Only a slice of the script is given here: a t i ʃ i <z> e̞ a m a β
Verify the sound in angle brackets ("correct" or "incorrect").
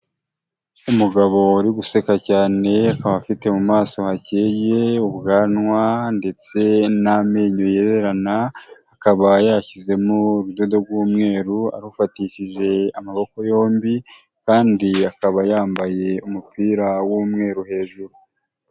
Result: incorrect